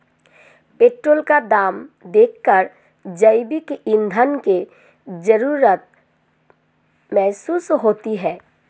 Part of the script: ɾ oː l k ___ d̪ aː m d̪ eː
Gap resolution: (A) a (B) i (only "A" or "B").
A